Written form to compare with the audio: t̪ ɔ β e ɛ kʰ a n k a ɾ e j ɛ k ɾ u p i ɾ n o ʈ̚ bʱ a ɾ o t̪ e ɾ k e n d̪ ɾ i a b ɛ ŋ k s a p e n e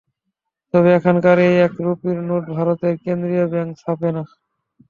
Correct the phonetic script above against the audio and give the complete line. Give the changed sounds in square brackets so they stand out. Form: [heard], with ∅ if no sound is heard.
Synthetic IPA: t̪ ɔ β e ɛ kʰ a n k a ɾ e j ɛ k ɾ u p i ɾ n o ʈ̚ bʱ a ɾ o t̪ e ɾ k e n d̪ ɾ i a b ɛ ŋ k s a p e n [a]

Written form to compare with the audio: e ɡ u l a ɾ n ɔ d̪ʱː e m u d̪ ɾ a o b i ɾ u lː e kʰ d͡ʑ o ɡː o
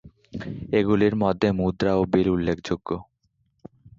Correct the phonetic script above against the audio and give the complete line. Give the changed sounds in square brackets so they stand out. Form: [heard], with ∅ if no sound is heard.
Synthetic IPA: e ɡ u l [i] ɾ [m] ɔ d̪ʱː e m u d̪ ɾ a o b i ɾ u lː e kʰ d͡ʑ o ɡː o

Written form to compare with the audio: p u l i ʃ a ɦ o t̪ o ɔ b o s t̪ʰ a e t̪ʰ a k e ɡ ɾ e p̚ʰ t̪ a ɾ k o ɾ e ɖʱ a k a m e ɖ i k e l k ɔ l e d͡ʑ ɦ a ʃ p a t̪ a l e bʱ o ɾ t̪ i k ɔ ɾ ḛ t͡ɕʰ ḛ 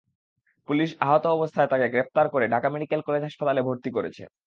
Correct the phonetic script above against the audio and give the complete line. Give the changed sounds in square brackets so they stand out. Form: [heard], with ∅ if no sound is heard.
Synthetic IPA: p u l i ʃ a ɦ o t̪ o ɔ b o s t̪ʰ a e [t̪] a k e ɡ ɾ e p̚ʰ t̪ a ɾ k o ɾ e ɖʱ a k a m e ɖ i k e l k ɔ l e d͡ʑ ɦ a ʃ p a t̪ a l e bʱ o ɾ t̪ i k [o] ɾ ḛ t͡ɕʰ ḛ

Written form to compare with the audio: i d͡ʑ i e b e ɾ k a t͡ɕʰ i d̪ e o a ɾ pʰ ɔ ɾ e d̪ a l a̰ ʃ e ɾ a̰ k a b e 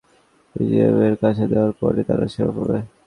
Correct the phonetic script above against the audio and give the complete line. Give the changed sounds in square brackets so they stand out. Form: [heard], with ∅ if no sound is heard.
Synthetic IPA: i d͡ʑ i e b e ɾ k a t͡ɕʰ [e] d̪ e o a ɾ [p] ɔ ɾ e [t̪] a [ɾ] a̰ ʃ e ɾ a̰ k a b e

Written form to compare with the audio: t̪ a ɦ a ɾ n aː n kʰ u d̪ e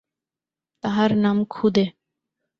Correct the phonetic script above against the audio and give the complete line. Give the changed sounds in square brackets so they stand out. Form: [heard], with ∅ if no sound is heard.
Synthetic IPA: t̪ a ɦ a ɾ n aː [m] kʰ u d̪ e

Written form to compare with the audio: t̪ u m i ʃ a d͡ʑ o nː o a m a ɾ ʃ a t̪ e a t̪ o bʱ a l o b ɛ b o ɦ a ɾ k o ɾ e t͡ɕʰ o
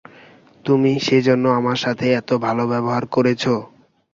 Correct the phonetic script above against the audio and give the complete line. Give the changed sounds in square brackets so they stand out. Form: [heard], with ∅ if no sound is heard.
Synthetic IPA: t̪ u m i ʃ [e] d͡ʑ o nː o a m a ɾ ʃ a [t̪ʰ] e [ɛ] t̪ o bʱ a l o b ɛ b o ɦ a ɾ k o ɾ e t͡ɕʰ o

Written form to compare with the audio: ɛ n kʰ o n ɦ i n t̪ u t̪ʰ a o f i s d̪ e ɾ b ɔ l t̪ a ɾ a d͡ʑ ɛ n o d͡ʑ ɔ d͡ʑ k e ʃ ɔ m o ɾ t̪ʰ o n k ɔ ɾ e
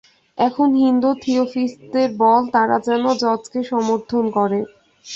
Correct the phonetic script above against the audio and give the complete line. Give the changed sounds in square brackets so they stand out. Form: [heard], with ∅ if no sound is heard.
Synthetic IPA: ɛ [∅] kʰ o n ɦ i n [d̪] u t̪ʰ [i] o f i s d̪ e ɾ b ɔ l t̪ a ɾ a d͡ʑ ɛ n o d͡ʑ ɔ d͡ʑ k e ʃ ɔ m o ɾ t̪ʰ o n k ɔ ɾ e

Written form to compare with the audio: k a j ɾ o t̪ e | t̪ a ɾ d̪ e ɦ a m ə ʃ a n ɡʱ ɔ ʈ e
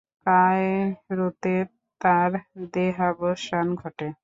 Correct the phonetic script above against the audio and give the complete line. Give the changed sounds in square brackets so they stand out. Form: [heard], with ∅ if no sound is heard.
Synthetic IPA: k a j ɾ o t̪ e | t̪ a ɾ d̪ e ɦ a [b] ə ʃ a n ɡʱ ɔ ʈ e

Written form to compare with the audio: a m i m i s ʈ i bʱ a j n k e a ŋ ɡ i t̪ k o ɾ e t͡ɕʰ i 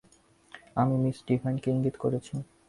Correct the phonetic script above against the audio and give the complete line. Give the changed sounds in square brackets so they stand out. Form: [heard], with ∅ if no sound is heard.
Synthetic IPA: a m i m i s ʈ i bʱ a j n k e [i] ŋ ɡ i t̪ k o ɾ e t͡ɕʰ i

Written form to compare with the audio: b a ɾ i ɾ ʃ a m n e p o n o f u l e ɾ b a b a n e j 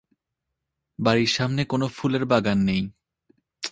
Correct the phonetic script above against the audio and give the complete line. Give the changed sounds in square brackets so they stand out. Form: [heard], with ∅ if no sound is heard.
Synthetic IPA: b a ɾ i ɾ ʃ a m n e [k] o n o f u l e ɾ b a [ɡ] a [nː] e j

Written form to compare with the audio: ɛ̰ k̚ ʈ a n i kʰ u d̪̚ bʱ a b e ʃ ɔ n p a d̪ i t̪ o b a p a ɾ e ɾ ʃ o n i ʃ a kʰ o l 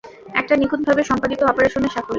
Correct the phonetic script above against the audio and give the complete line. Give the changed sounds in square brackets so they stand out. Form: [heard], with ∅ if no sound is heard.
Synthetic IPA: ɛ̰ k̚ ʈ a n i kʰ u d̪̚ bʱ a b e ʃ ɔ [m] p a d̪ i t̪ o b a p a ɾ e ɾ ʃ o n [e] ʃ a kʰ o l

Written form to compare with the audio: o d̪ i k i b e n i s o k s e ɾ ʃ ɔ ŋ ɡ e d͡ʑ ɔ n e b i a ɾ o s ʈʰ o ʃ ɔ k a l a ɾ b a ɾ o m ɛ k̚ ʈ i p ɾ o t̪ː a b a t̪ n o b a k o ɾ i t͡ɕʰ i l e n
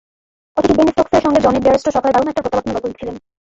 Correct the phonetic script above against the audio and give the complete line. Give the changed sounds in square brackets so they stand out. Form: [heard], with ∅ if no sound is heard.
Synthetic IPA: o [t̪] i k i b e n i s o k s e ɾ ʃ ɔ ŋ ɡ e d͡ʑ ɔ n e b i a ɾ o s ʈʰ o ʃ ɔ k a l [e] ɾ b a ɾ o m ɛ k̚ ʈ [a] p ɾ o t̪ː a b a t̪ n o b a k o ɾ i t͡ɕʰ i l e n

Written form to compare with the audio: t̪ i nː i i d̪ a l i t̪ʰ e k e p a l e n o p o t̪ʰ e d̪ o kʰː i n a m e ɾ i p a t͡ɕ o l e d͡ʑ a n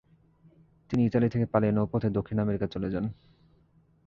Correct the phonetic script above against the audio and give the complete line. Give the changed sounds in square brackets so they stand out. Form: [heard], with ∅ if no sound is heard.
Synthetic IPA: t̪ i [n] i i [t̪] a l i t̪ʰ e k e p a l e n o p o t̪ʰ e d̪ o kʰː i n a m e ɾ i [k] a t͡ɕ o l e d͡ʑ a n

